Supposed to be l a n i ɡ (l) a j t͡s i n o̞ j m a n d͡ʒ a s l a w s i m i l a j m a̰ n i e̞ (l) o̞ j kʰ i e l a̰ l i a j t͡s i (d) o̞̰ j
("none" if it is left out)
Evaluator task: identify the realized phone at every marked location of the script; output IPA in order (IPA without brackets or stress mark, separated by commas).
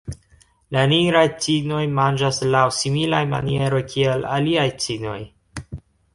ɾ, ɾ, n